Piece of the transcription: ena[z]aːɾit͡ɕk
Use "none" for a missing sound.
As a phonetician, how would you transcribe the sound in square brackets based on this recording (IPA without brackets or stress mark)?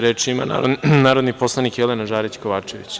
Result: ʒ